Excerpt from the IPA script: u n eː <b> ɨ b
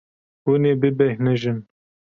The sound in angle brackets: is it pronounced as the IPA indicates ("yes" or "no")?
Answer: yes